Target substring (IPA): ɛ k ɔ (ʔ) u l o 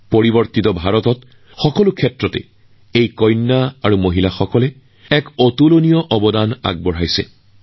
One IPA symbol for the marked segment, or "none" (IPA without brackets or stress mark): t